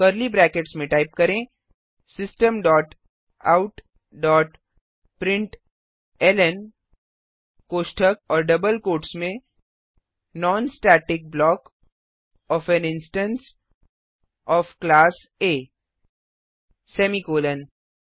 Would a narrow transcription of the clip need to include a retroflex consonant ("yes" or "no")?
yes